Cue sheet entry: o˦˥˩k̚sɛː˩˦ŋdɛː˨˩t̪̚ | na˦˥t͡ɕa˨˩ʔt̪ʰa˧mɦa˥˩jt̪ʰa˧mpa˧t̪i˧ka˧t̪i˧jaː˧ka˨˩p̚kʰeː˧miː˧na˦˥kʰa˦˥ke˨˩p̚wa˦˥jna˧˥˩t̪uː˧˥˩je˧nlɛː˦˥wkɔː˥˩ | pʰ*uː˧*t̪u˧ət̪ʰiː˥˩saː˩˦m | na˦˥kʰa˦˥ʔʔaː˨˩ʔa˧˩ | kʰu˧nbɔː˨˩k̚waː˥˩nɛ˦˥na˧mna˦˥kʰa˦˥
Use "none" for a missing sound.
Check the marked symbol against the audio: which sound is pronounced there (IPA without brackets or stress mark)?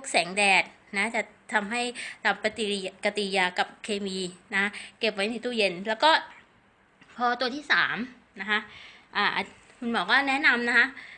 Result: ɔː˧